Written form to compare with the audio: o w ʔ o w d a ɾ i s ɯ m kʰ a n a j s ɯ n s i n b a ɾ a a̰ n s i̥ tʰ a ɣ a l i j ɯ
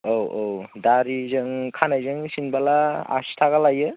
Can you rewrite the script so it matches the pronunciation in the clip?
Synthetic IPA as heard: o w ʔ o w d a ɾ i z ɯ ŋ kʰ a n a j z ɯ ŋ s i n b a l a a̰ s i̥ tʰ a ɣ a l a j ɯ